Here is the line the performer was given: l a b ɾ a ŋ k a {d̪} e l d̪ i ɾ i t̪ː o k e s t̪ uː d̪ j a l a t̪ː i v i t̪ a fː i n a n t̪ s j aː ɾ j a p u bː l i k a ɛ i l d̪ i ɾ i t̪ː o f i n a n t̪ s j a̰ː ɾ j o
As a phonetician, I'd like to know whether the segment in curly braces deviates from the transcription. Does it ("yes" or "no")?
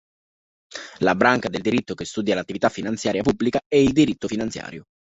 no